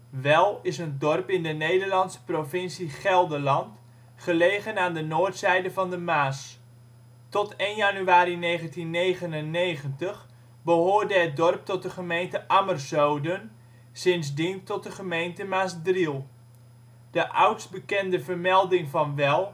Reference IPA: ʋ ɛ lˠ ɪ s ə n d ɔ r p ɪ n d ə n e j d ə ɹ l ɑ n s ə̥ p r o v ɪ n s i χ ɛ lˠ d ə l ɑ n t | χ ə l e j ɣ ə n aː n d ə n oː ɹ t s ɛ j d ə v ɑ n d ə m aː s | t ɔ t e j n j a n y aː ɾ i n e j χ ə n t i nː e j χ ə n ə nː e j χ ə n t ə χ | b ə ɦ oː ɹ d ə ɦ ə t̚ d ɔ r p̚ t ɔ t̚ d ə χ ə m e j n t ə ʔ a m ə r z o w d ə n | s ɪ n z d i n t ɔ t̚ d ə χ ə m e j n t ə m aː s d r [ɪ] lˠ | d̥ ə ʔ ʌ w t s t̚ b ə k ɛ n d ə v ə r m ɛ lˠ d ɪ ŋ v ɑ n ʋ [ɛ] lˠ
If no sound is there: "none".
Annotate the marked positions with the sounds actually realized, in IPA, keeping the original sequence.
i, ɛ

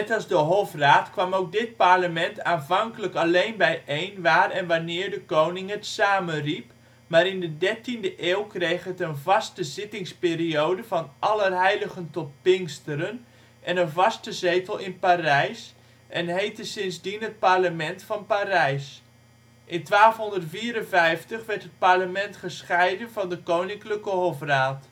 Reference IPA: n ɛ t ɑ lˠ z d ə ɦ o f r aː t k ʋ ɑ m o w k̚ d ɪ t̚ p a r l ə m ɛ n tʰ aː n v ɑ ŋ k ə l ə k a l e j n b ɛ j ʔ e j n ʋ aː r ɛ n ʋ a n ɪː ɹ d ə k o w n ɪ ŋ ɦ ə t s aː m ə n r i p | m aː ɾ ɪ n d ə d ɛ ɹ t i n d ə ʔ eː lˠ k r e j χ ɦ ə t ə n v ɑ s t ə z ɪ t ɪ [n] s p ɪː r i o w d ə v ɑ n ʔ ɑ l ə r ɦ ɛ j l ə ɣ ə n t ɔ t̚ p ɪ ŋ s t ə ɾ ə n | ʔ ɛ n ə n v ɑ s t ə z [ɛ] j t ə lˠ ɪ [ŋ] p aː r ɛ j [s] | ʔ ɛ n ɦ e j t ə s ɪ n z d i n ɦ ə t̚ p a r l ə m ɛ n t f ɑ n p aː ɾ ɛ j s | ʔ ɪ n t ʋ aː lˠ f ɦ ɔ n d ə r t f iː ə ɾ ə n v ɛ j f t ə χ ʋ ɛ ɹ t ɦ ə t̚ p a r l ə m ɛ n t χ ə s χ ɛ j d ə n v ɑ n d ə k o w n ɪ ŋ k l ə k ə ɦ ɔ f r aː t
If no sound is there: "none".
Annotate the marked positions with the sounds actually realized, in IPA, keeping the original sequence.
ŋ, e, n, s

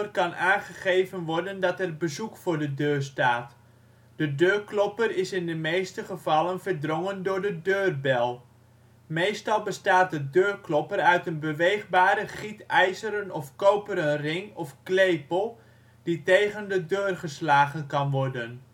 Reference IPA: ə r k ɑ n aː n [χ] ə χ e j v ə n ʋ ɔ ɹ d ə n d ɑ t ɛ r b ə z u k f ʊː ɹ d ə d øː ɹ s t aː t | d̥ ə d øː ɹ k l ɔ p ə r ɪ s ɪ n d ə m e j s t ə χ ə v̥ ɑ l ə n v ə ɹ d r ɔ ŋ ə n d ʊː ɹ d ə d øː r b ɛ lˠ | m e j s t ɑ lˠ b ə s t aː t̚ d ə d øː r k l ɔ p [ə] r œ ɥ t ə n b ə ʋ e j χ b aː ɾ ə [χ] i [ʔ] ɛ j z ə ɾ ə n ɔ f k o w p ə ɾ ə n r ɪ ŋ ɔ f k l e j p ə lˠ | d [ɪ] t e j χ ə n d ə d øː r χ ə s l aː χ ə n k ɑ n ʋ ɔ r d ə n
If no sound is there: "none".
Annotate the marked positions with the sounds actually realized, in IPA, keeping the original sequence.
χ, ə, χ, t, i

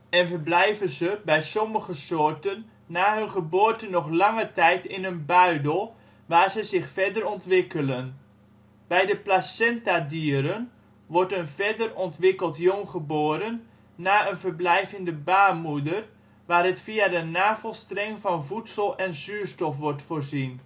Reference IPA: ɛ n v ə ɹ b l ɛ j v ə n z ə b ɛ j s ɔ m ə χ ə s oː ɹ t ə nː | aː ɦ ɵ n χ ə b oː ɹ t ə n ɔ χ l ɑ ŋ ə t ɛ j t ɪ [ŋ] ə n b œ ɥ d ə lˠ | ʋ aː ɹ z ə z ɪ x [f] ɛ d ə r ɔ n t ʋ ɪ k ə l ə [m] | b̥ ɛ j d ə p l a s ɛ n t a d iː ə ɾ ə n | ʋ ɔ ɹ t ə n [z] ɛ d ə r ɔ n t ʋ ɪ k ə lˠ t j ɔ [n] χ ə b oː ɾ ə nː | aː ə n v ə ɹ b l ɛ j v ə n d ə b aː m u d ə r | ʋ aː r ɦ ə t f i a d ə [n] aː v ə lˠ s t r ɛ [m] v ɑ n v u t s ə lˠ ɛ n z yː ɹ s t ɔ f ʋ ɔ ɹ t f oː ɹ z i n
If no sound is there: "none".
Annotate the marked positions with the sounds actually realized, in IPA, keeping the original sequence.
n, f, n, v, ŋ, n, ŋ

